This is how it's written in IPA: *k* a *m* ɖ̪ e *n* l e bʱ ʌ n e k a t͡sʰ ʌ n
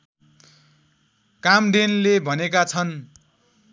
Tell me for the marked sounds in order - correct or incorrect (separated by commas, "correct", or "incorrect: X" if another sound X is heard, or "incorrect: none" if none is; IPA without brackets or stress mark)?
correct, correct, correct